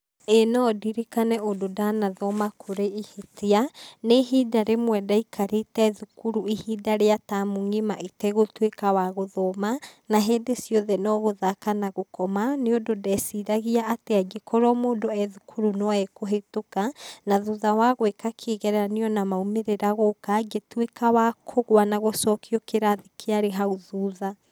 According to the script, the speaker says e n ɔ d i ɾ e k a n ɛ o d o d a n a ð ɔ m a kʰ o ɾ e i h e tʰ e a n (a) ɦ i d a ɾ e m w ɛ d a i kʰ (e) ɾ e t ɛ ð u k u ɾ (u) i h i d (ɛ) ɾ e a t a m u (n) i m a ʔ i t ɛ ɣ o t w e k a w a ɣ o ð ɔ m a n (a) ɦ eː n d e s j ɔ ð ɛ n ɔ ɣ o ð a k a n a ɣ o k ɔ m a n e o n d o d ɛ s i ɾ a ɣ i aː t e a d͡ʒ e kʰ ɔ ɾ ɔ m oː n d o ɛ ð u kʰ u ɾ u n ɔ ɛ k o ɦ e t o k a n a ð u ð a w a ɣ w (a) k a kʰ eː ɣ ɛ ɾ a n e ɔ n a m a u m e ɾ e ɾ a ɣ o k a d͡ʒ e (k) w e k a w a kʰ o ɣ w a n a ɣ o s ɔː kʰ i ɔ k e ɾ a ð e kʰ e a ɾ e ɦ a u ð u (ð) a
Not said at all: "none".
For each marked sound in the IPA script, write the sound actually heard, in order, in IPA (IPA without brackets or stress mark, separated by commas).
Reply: e, a, u, a, ŋ, a, e, t, ð